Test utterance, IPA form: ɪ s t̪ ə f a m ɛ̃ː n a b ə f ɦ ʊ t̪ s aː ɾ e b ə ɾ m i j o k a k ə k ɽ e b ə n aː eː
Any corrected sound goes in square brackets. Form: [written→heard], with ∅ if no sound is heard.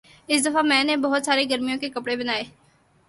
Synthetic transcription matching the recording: ɪ s [t̪→d̪] ə f a m ɛ̃ː n [a→e] b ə [f→∅] ɦ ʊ t̪ s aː ɾ e [b→ɡ] ə ɾ m i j [o→õ] k [a→e] k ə [k→p] ɽ e b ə n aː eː

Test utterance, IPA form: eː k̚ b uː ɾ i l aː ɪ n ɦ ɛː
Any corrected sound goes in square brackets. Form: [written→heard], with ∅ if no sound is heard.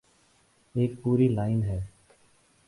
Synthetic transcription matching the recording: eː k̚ [b→p] uː ɾ [i→iː] l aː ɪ n ɦ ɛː

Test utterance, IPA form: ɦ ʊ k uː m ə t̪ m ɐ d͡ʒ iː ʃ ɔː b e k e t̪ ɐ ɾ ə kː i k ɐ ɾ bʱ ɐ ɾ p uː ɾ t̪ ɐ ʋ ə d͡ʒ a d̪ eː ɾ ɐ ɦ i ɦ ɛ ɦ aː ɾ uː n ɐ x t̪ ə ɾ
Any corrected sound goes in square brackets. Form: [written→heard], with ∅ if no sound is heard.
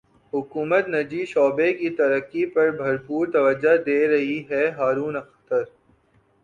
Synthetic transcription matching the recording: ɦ ʊ k uː m ə t̪ [m→n] ɐ d͡ʒ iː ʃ ɔː b e k [e→i] t̪ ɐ ɾ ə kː i [k→p] ɐ ɾ bʱ ɐ ɾ p uː ɾ t̪ ɐ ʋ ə d͡ʒ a d̪ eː ɾ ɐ ɦ i ɦ ɛ ɦ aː ɾ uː n ɐ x t̪ ə ɾ

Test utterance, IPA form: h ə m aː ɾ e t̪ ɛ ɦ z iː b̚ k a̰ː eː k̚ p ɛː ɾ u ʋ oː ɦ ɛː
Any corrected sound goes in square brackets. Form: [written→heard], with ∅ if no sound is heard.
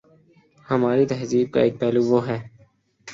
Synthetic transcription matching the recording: h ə m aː ɾ [e→i] t̪ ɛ ɦ z iː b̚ k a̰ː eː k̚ p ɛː [ɾ→l] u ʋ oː ɦ ɛː

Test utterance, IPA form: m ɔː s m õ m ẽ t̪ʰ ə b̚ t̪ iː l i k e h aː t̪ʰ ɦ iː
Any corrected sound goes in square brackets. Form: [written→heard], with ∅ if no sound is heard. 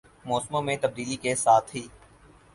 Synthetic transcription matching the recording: m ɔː s m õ m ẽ [t̪ʰ→t̪] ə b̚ [t̪→d̪] iː l i k e [h→s] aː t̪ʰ ɦ iː

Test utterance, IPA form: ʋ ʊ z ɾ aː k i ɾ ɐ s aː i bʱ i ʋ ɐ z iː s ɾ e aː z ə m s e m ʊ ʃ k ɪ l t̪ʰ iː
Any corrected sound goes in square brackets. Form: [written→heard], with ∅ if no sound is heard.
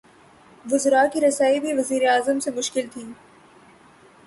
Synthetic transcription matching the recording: ʋ ʊ z ɾ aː k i ɾ ɐ s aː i bʱ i ʋ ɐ z iː [s→∅] ɾ e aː z ə m s e m ʊ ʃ k ɪ l t̪ʰ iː

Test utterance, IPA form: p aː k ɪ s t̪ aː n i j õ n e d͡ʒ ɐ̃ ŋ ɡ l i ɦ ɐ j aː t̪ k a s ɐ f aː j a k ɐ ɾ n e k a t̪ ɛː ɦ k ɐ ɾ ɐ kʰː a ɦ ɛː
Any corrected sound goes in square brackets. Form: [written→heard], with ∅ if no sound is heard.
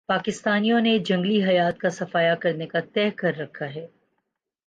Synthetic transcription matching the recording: p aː k ɪ s t̪ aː n i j õ n e d͡ʒ ɐ̃ ŋ ɡ l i ɦ ɐ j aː t̪ k a s ɐ f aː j a k ɐ ɾ n e k a t̪ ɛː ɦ k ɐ [ɾ→ɾː] ɐ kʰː a ɦ ɛː

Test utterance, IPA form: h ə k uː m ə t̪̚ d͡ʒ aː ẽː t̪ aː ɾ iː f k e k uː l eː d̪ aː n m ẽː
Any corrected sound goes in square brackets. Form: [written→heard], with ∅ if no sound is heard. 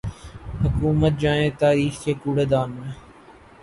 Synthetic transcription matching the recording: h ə k uː m ə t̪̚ d͡ʒ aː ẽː t̪ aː ɾ iː [f→x] k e k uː [l→ɽ] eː d̪ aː n m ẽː

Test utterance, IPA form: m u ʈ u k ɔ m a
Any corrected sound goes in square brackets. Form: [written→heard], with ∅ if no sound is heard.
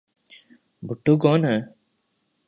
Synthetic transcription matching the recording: [m→b] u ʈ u [k→ɡ] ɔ [m→n] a

